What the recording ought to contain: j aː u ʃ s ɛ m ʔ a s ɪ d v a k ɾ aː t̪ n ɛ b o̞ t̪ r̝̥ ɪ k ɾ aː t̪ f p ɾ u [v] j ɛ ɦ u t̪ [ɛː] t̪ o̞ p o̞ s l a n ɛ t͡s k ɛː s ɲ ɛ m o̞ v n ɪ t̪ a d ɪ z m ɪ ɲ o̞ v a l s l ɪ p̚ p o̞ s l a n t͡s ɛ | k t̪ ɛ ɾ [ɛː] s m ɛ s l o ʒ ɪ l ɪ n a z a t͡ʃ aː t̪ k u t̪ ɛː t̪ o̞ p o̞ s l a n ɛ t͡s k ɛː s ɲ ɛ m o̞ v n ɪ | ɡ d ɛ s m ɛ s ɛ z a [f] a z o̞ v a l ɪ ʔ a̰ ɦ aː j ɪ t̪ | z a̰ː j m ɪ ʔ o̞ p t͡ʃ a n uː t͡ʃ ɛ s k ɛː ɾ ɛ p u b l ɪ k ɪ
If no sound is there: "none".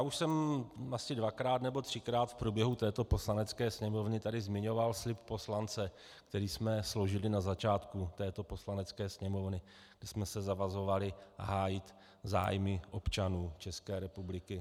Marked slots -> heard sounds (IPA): b, ɛː, iː, v

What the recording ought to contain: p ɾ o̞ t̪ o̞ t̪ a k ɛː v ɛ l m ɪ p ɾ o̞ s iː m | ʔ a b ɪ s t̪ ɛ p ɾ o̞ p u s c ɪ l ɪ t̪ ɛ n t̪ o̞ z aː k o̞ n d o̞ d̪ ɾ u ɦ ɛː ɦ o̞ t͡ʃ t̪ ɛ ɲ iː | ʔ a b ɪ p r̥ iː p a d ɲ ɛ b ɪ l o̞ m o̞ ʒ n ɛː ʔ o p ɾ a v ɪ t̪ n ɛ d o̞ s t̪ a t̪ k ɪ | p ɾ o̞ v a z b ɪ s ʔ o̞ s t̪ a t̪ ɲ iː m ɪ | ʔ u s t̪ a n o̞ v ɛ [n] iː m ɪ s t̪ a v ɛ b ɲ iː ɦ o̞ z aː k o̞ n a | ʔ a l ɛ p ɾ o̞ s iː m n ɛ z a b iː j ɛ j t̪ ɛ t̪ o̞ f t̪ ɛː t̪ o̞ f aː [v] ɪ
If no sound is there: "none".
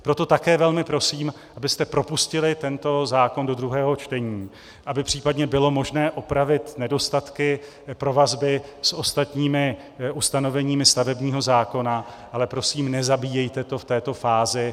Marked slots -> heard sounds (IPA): ɲ, z

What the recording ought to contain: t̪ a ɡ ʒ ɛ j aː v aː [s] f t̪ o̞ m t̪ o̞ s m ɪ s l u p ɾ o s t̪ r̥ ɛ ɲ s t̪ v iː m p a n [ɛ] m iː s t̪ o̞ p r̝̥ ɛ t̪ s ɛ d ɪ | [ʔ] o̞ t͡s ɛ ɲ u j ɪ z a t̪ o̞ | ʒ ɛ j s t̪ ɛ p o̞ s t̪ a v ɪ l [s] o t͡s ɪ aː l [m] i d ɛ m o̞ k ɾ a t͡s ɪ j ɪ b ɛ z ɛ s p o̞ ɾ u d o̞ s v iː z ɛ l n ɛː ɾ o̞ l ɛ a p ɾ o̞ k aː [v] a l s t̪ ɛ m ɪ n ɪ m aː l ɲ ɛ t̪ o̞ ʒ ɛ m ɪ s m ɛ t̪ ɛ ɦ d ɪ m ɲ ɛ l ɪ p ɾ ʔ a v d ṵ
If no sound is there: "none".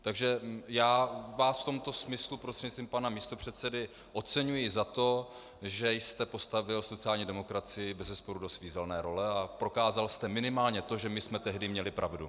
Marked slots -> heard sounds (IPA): s, a, ʔ, s, ɲ, z

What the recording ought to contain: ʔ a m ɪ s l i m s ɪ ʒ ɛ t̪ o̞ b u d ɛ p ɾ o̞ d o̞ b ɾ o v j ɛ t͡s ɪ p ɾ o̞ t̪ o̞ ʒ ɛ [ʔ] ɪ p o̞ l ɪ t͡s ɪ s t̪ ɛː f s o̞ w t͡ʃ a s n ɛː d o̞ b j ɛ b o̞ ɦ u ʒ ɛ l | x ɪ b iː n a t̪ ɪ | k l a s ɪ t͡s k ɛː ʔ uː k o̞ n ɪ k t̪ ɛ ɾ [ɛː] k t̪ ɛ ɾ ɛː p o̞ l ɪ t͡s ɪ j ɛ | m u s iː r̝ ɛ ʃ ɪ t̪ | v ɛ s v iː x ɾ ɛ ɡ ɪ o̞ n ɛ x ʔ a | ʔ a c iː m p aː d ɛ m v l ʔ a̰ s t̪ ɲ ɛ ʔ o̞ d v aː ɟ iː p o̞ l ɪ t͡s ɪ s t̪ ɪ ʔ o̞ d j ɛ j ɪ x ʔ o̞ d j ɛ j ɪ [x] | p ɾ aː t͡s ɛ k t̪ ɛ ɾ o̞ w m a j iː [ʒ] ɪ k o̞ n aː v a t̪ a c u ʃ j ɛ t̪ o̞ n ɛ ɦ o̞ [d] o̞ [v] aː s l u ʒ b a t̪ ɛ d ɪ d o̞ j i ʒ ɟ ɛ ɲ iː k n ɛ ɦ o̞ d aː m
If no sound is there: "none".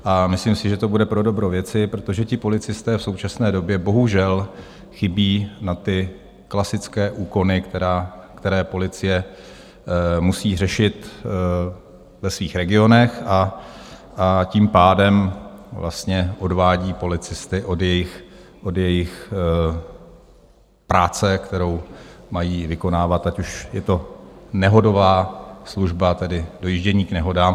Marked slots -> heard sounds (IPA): c, aː, x, v, d, v

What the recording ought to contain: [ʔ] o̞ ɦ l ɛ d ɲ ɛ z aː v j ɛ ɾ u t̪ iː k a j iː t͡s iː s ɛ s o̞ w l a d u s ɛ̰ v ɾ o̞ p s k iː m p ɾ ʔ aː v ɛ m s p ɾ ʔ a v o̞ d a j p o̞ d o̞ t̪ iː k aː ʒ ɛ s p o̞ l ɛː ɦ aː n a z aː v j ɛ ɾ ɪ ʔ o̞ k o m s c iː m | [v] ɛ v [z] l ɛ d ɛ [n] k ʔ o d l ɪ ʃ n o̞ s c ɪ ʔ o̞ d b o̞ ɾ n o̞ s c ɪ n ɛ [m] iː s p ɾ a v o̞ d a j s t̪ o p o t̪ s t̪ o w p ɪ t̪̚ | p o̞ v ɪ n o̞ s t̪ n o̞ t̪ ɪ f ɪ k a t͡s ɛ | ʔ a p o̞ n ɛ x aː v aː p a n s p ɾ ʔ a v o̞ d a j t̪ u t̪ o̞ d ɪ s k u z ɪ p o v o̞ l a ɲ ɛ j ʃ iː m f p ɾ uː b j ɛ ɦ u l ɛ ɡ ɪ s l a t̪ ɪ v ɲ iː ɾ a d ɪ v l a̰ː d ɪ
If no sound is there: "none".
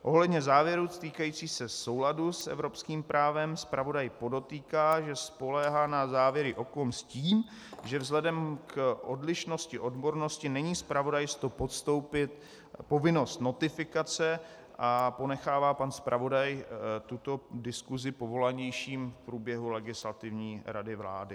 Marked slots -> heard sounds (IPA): ʔ, ʒ, z, m, ɲ

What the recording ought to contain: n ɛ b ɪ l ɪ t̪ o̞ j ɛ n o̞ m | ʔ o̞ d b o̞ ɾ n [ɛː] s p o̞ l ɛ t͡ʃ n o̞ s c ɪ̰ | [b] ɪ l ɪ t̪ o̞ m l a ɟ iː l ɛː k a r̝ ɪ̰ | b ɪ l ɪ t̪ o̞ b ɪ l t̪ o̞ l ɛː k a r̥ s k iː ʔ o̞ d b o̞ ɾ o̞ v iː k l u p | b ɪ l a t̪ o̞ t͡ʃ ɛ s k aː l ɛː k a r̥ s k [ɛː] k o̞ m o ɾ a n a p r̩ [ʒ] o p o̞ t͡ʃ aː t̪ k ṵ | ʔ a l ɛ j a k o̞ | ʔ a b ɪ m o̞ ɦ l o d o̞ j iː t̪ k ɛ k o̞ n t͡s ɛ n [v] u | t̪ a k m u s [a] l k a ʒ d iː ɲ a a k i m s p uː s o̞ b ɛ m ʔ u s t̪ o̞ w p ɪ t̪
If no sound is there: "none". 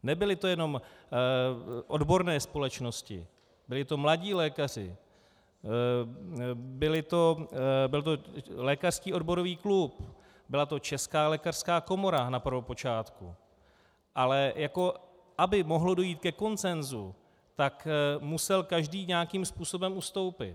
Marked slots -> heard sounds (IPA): ɛː, b, aː, v, z, ɛ

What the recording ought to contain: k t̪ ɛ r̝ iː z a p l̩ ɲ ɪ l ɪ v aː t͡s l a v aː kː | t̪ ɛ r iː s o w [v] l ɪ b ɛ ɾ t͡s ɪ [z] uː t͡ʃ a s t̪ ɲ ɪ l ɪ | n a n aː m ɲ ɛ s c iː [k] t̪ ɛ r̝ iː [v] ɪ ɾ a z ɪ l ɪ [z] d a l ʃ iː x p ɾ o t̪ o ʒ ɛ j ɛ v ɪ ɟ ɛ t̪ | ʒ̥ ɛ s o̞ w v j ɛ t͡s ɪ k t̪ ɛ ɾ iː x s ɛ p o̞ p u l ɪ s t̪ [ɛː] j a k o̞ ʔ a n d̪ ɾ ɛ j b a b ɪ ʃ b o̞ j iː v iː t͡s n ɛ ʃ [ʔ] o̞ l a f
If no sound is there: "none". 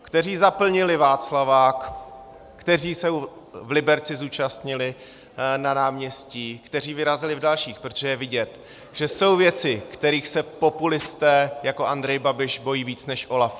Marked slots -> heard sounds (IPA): v, z, k, v, v, ɛː, ʔ

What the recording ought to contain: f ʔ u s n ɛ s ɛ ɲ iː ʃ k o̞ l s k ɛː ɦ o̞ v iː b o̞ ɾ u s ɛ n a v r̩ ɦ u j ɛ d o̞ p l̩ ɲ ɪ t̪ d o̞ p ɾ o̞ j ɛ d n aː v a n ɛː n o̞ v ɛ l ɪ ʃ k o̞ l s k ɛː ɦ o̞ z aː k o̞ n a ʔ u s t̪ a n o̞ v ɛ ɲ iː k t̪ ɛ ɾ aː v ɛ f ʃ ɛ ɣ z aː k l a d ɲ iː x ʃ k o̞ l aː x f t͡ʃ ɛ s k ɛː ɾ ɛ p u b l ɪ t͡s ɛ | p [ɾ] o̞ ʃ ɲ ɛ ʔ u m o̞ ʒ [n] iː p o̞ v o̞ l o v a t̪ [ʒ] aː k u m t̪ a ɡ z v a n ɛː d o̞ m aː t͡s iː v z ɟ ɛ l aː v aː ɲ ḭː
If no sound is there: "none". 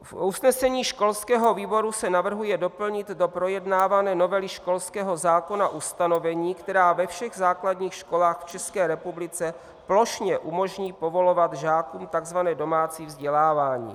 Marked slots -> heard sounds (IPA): l, ɲ, ʒ

